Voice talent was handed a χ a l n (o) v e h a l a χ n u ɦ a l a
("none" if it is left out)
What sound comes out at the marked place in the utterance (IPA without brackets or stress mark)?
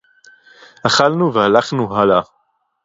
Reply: u